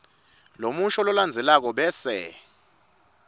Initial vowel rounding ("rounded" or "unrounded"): rounded